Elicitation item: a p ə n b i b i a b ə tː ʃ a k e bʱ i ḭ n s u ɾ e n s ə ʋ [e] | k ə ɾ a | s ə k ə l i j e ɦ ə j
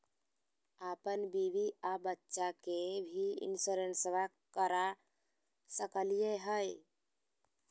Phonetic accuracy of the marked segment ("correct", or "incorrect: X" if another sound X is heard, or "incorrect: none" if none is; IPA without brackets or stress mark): incorrect: a